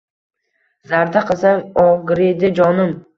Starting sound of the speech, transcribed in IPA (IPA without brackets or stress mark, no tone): z